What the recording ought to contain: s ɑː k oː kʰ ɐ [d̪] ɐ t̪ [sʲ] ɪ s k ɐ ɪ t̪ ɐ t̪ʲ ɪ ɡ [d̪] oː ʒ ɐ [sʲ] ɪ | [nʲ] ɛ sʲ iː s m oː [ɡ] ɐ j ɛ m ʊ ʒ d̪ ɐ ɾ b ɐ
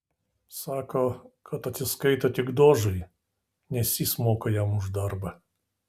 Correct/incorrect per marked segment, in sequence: incorrect: t̪, correct, correct, incorrect: none, correct, incorrect: k

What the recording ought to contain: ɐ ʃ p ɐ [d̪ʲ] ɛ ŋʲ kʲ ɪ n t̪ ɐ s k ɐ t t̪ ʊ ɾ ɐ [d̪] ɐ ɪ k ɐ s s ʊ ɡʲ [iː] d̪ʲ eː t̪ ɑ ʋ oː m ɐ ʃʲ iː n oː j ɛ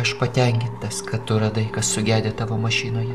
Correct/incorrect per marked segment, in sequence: incorrect: t̪ʲ, correct, incorrect: æː

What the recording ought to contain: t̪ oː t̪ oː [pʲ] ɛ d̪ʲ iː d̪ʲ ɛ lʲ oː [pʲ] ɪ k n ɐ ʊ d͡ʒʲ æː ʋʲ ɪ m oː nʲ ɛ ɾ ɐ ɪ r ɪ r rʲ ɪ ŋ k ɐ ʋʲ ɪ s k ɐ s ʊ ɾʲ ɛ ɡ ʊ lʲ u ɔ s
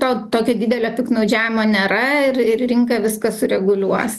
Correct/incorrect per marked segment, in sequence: incorrect: kʲ, correct

